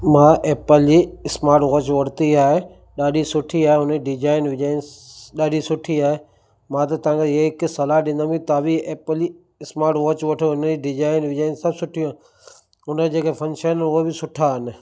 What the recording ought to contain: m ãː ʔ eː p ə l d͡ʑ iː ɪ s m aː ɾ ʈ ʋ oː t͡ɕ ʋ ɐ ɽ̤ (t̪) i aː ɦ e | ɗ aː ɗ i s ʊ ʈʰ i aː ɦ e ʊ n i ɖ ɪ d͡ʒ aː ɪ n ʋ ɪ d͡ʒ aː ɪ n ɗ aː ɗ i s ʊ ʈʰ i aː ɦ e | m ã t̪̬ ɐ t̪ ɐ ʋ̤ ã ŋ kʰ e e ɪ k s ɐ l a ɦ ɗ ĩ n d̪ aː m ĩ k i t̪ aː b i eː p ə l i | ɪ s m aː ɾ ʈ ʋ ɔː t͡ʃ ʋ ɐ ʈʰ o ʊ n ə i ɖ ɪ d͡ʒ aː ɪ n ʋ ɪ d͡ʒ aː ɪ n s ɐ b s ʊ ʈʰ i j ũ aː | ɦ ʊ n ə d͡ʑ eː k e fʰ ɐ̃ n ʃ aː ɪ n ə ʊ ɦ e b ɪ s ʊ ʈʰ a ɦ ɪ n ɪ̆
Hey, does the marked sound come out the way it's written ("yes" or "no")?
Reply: yes